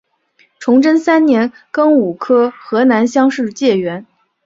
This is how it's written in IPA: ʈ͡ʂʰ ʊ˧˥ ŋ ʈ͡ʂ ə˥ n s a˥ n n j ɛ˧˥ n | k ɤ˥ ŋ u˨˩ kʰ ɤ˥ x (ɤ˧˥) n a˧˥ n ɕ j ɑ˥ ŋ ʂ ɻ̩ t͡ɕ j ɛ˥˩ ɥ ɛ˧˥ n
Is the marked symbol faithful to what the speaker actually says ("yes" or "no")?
yes